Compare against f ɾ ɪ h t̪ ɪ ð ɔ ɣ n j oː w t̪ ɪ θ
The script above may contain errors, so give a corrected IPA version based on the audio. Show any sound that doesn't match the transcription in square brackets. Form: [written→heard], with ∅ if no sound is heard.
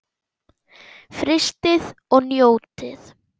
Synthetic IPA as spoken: f ɾ ɪ [h→s] t̪ ɪ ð ɔ ɣ n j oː w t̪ ɪ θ